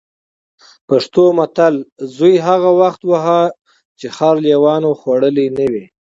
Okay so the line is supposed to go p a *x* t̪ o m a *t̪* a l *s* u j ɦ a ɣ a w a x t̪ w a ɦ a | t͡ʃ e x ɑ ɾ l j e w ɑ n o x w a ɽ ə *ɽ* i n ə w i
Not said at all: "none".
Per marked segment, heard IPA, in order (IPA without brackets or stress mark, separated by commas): ʂ, t̪, z, l